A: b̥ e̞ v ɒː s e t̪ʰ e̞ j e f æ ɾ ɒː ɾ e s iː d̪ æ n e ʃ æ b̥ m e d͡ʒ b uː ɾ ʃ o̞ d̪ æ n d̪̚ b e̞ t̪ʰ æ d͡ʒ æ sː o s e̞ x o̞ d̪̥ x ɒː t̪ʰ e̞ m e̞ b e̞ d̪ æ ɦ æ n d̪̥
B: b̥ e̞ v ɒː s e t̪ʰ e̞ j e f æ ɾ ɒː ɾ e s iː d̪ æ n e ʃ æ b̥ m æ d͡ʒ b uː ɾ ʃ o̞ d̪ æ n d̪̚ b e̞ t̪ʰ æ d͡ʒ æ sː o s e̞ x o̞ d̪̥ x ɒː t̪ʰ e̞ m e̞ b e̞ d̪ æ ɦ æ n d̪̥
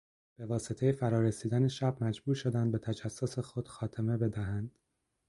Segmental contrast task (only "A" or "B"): B